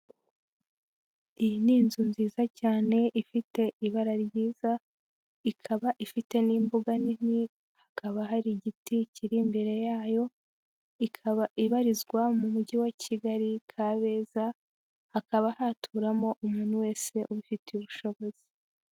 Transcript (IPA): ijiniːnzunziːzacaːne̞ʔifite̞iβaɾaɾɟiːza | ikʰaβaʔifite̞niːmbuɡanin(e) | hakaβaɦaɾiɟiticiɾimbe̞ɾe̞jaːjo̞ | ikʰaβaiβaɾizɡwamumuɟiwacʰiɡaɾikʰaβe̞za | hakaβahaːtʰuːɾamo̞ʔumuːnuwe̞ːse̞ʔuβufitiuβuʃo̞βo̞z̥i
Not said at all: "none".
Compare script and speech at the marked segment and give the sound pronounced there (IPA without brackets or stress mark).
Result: i